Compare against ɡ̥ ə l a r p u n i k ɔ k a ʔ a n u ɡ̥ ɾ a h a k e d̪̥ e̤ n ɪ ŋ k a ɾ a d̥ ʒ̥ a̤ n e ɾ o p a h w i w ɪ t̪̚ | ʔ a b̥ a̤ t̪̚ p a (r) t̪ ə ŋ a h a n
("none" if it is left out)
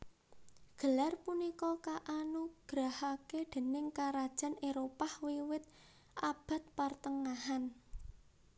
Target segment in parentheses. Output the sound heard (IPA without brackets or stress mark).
r